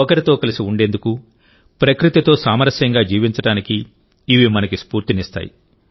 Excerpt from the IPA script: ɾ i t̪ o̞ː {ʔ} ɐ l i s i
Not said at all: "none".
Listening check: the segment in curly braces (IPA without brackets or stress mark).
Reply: k